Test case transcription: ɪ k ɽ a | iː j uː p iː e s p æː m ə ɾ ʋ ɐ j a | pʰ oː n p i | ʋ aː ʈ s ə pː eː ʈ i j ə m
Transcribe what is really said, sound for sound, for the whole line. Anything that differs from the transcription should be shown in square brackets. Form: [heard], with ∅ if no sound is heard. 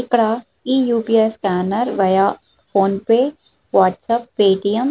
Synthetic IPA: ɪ k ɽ a | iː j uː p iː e s [k] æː [n] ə ɾ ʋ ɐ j a | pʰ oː n p [e] | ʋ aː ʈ s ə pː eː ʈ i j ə m

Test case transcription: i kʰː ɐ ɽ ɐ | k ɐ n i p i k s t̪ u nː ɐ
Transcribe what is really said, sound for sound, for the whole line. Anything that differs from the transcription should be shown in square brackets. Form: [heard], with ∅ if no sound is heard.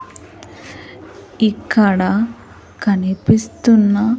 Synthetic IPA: i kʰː ɐ ɽ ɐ | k ɐ n i p i [∅] s t̪ u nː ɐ

